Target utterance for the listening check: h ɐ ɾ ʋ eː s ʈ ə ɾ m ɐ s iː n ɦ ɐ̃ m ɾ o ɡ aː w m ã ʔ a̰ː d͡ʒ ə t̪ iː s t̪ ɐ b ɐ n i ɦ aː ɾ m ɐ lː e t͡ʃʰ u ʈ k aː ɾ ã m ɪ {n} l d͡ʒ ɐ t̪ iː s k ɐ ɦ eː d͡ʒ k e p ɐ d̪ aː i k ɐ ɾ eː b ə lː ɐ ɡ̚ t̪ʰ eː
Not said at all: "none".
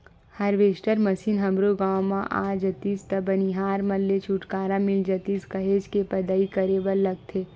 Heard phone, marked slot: none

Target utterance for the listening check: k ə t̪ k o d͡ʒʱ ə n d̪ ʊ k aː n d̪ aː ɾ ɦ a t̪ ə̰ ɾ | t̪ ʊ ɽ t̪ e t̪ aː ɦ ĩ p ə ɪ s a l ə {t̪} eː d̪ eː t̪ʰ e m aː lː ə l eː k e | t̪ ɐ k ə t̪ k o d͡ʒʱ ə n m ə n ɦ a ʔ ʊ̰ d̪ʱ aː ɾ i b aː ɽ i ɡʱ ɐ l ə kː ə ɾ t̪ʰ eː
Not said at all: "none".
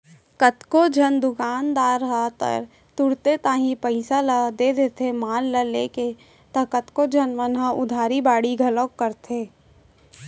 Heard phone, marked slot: d̪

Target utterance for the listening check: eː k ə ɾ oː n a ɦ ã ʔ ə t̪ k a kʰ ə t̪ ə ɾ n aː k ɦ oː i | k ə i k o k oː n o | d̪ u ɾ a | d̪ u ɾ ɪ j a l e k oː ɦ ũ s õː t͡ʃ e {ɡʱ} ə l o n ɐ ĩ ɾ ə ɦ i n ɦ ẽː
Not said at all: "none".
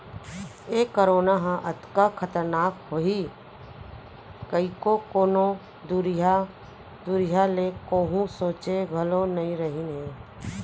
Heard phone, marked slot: ɡʱ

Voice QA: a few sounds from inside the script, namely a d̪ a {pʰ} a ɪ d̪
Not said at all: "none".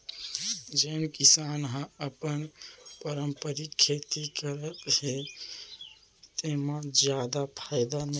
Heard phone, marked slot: pʰ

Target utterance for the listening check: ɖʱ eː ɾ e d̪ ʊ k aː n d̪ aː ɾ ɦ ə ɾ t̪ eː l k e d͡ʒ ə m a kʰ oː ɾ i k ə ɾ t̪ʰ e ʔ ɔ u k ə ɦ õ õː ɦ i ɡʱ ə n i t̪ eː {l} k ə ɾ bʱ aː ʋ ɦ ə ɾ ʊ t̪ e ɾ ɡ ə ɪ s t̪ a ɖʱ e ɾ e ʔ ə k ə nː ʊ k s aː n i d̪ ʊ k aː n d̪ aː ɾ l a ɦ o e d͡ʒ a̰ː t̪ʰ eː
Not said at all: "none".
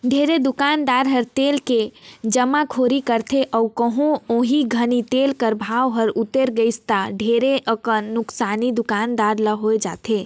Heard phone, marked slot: l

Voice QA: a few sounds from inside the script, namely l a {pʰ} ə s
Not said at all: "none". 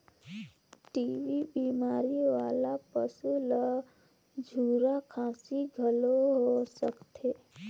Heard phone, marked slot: p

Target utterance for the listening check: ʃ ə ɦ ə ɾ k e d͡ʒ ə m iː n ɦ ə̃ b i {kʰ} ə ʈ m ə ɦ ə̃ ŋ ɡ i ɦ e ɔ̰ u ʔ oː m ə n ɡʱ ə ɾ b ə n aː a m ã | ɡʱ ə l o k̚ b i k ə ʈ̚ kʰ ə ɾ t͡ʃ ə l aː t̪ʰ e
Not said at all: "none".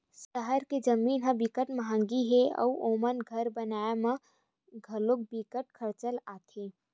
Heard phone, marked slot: k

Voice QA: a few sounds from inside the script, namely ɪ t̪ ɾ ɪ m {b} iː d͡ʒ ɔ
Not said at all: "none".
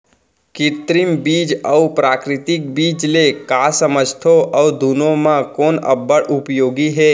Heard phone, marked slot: b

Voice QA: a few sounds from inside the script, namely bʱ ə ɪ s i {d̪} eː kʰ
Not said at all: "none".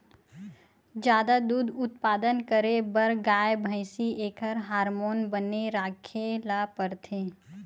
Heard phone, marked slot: none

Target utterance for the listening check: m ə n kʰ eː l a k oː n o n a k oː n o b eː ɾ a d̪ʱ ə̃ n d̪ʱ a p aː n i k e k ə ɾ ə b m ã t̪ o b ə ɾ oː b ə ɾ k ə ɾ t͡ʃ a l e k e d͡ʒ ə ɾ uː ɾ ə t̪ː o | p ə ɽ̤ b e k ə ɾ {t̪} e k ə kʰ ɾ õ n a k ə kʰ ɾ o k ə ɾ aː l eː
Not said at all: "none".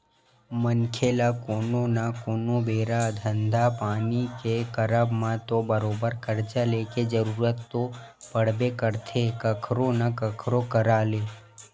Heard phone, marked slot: t̪ʰ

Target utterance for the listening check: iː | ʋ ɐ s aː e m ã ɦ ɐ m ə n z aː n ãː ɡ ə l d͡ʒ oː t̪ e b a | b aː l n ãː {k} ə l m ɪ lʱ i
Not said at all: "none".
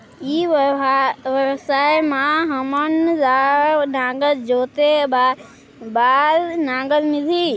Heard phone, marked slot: ɡ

